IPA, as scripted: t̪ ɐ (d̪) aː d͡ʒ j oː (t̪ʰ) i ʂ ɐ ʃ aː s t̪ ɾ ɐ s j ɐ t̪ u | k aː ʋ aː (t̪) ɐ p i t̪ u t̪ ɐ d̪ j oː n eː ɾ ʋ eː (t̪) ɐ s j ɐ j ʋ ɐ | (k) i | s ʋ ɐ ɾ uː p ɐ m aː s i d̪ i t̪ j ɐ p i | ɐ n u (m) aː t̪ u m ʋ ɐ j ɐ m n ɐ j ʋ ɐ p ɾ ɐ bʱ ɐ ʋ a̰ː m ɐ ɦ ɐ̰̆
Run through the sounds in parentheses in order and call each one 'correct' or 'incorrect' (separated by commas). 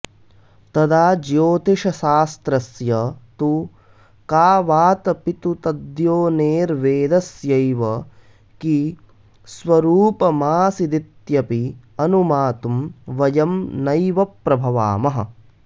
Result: correct, incorrect, correct, incorrect, correct, correct